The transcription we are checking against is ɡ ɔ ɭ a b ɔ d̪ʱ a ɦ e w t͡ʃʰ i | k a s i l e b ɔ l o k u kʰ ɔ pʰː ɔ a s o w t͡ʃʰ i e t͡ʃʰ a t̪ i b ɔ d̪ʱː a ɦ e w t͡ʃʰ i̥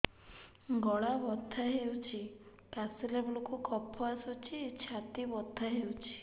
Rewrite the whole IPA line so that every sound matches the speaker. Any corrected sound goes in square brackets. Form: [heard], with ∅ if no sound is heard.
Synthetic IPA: ɡ ɔ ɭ a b ɔ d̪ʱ a ɦ e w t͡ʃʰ i | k a s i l e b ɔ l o k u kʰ ɔ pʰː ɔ a s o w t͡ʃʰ i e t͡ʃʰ a t̪ i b ɔ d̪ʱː a ɦ e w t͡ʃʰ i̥